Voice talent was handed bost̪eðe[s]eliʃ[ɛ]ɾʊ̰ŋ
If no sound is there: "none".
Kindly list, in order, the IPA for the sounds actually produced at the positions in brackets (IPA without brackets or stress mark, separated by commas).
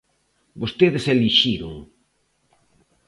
s, i